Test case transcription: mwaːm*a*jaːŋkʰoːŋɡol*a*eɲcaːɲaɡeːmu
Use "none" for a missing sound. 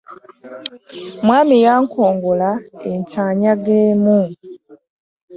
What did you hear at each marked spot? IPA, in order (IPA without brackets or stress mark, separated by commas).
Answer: i, a